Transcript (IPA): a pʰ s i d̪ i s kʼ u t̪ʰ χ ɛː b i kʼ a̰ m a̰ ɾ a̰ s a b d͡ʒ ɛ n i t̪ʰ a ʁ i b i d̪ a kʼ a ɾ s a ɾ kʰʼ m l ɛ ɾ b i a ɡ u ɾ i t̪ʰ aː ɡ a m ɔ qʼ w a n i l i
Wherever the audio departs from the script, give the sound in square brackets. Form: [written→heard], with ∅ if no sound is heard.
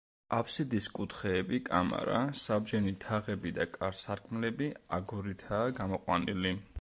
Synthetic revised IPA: a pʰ s i d̪ i s kʼ u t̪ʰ χ ɛː b i kʼ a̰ m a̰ ɾ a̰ s a b d͡ʒ ɛ n i t̪ʰ a ʁ [i→ɛ] b i d̪ a kʼ a ɾ s a ɾ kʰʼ m l ɛ [ɾ→∅] b i a ɡ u ɾ i t̪ʰ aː ɡ a m ɔ qʼ w a n i l i